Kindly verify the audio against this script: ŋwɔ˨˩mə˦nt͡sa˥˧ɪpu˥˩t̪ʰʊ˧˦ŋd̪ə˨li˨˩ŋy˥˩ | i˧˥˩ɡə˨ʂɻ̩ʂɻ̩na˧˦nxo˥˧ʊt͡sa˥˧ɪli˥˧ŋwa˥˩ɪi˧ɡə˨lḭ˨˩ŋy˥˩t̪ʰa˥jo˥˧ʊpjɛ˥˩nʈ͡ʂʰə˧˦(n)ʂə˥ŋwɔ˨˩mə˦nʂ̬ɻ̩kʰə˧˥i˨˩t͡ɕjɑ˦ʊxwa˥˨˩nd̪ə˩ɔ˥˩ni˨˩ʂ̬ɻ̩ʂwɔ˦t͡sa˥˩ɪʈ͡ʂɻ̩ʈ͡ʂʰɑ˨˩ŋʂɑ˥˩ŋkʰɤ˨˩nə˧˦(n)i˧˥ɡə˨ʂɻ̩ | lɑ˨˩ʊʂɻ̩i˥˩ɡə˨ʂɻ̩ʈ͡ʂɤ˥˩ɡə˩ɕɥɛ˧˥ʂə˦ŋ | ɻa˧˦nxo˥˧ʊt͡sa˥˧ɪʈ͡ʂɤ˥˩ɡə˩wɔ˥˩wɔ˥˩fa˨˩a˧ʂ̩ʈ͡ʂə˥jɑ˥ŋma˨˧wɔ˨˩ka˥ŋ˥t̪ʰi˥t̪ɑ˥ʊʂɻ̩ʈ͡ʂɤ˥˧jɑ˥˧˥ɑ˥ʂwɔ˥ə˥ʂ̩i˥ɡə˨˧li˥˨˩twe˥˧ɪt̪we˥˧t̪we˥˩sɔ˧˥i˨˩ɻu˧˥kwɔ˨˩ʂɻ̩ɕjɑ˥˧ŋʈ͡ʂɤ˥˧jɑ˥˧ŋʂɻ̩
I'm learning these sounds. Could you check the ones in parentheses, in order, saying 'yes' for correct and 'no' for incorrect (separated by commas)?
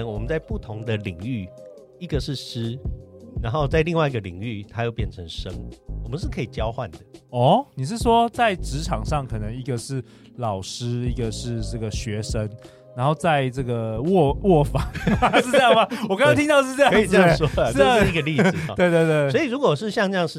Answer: no, no